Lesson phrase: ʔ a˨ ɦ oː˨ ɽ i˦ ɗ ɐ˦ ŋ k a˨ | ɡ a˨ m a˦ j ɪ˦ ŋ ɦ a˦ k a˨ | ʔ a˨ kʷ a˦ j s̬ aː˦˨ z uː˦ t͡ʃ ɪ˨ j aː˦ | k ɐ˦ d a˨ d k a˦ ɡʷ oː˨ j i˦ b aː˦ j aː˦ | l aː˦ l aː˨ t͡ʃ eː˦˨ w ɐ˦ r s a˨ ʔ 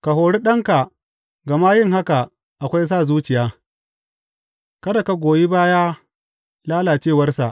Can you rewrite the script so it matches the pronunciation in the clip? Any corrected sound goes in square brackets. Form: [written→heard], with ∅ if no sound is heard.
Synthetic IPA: [ʔ→k] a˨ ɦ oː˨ ɽ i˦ ɗ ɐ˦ ŋ k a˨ | ɡ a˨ m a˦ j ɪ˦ ŋ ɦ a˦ k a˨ | ʔ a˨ kʷ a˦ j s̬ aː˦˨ z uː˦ t͡ʃ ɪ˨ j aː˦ | k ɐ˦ d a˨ [d→∅] k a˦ ɡʷ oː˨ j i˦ b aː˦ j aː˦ | l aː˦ l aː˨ t͡ʃ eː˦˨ w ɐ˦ r s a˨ ʔ